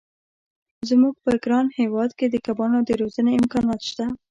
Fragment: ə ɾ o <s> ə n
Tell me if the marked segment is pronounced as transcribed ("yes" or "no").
no